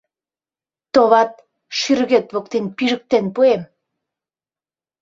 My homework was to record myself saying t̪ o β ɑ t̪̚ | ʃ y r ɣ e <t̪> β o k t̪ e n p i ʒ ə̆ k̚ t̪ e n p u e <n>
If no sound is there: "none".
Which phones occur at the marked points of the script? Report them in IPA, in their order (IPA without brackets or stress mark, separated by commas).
t̪, m